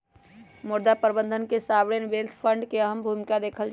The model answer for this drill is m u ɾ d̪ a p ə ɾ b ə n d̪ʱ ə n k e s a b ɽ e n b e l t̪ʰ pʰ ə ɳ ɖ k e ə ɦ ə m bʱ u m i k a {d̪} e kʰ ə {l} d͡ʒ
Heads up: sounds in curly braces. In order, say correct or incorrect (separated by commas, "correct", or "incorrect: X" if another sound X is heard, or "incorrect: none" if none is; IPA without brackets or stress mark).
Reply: correct, correct